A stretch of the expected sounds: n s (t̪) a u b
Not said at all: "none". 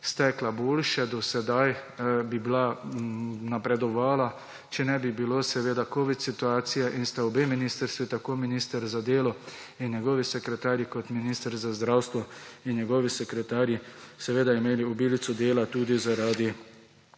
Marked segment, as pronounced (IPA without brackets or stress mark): t̪